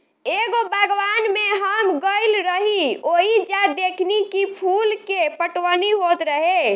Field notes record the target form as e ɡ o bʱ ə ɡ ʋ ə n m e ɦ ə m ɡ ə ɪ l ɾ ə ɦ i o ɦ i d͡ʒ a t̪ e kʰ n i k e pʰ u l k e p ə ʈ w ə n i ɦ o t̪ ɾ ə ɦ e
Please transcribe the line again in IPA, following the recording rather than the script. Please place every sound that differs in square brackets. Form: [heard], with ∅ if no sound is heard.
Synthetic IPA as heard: e ɡ o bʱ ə ɡ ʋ [a] n m e ɦ ə m ɡ ə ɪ l ɾ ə ɦ i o ɦ i d͡ʒ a [d̪] e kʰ n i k [i] pʰ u l k e p ə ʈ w ə n i ɦ o t̪ ɾ ə ɦ e

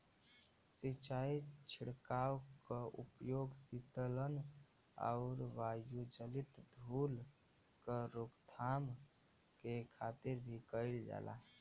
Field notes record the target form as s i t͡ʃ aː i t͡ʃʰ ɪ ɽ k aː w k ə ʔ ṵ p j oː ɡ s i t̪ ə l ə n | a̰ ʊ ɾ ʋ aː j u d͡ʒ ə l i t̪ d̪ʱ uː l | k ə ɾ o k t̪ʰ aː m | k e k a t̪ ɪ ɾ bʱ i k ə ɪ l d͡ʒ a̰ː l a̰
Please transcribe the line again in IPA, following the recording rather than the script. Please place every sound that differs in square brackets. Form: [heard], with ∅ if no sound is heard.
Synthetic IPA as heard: s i t͡ʃ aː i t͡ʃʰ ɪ ɽ k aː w k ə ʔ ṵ p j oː ɡ s i t̪ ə l ə n | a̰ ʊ ɾ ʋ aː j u d͡ʒ ə l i t̪ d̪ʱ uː l | k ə ɾ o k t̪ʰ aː m | k e [kʰ] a t̪ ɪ ɾ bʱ i k ə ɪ l d͡ʒ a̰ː l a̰

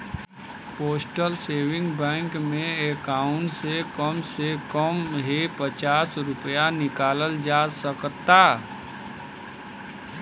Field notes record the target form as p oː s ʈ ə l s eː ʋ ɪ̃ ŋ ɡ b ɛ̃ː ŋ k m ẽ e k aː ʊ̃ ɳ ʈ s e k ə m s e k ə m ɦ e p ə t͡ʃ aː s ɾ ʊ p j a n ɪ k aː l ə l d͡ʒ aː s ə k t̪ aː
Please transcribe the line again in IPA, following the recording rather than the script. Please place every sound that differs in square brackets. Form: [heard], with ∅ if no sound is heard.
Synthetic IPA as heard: p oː s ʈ ə l s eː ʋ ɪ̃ ŋ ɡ b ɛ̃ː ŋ k m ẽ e k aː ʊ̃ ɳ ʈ s e k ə m s e k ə m ɦ e p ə t͡ʃ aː s ɾ ʊ p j a n ɪ k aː l ə l d͡ʒ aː s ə k t̪ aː

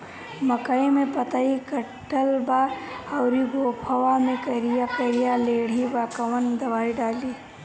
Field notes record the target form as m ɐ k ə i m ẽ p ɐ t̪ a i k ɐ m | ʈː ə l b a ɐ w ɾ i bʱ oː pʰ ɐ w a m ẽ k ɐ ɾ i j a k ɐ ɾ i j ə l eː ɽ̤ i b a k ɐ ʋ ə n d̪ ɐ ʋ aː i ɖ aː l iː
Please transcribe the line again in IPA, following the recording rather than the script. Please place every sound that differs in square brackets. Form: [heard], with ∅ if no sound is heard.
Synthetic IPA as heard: m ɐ k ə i m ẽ p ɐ t̪ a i k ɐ [∅] | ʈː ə l b a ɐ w ɾ i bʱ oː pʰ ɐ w a m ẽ k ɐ ɾ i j a k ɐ ɾ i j [a] l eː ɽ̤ i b a k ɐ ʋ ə n d̪ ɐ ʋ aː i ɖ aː l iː

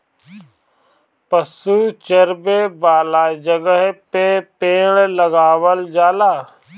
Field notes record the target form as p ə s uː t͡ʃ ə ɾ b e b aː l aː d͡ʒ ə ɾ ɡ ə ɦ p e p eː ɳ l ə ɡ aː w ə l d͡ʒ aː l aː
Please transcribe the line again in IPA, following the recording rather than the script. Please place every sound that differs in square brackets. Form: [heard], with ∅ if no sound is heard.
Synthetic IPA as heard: p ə s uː t͡ʃ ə ɾ b e b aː l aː d͡ʒ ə [∅] ɡ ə ɦ p e p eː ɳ l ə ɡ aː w ə l d͡ʒ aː l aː

